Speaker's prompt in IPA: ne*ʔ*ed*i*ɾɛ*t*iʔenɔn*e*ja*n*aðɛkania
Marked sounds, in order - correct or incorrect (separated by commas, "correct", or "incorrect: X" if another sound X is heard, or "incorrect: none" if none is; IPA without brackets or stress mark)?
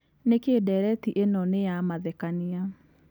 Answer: incorrect: k, incorrect: ɛ, correct, correct, incorrect: m